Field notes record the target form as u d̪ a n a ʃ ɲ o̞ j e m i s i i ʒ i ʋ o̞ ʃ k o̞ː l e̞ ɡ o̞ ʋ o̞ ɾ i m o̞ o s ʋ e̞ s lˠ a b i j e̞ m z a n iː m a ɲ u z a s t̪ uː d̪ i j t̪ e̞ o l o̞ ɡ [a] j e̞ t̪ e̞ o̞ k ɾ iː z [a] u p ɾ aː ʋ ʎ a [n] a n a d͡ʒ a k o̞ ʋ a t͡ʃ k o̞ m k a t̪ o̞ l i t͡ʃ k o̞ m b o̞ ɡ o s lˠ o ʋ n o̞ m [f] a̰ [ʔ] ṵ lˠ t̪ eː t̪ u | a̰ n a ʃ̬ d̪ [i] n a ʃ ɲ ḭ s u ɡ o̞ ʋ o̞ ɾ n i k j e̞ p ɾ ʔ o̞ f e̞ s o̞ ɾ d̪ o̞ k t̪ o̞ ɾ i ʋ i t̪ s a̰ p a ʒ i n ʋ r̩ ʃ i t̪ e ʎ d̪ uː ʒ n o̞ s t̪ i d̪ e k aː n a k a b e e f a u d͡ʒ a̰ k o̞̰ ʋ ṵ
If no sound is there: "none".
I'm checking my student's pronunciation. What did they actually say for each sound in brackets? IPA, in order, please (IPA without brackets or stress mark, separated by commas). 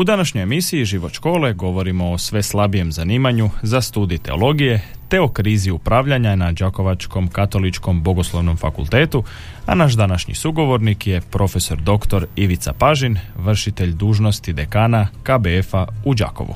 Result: i, i, ɲ, f, k, a